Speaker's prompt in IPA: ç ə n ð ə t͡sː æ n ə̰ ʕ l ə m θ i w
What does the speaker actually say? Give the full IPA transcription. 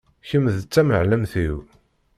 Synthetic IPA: ç ə m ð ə t͡sː æ m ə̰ ʕ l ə m θ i w